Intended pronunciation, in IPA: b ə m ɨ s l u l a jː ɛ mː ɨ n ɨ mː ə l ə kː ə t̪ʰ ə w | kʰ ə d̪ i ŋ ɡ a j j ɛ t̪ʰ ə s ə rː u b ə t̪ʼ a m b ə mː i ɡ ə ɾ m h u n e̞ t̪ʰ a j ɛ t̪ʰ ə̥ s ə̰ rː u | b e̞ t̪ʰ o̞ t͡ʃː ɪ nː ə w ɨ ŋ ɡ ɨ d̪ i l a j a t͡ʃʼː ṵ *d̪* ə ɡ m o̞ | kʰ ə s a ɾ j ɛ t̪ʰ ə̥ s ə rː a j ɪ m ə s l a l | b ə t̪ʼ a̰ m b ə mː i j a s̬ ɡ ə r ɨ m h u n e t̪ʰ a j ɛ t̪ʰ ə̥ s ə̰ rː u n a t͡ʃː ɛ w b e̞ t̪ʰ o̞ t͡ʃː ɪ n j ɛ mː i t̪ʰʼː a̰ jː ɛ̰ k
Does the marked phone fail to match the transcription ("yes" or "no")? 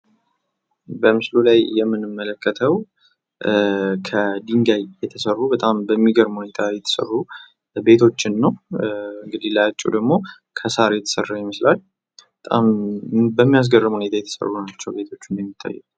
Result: no